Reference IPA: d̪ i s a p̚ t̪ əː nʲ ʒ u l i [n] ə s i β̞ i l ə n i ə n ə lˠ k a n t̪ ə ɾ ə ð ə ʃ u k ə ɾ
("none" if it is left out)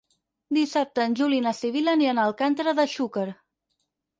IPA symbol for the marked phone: n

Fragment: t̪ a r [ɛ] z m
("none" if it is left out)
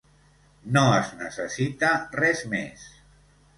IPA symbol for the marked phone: ɛ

